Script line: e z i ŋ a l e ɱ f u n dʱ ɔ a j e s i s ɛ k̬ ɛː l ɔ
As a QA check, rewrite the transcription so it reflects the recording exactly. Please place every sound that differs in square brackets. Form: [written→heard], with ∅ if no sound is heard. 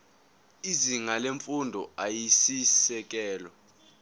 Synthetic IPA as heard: [e→i] z i ŋ a l e ɱ f u n dʱ ɔ a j [e→i] s i s ɛ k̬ ɛː l ɔ